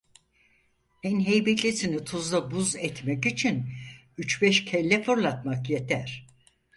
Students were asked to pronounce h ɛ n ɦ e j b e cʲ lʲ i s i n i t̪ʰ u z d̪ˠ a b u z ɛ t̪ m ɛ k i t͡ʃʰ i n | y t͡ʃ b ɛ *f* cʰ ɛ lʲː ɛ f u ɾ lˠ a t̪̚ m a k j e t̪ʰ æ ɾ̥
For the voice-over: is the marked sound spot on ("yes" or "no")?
no